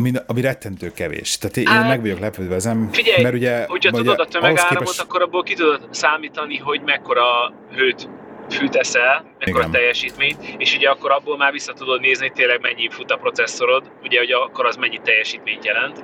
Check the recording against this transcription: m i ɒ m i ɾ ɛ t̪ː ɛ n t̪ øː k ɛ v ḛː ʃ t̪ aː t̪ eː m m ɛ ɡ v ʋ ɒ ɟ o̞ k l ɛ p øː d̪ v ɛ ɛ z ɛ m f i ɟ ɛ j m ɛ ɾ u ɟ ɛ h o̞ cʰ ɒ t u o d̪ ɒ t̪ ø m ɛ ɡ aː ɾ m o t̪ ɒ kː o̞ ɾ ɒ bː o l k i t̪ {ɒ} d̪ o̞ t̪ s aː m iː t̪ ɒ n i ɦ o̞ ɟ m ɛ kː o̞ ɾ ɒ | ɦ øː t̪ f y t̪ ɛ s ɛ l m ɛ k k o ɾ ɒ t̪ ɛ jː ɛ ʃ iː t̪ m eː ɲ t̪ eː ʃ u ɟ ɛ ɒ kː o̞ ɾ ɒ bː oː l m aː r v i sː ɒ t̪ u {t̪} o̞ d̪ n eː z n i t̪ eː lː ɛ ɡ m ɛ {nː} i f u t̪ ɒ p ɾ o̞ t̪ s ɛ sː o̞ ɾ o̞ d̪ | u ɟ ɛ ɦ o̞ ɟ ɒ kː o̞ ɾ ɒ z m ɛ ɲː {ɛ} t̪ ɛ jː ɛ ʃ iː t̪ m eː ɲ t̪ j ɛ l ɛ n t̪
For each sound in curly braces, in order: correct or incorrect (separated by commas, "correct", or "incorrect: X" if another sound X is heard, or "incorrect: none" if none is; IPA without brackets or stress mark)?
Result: incorrect: u, incorrect: d̪, incorrect: ɲː, incorrect: i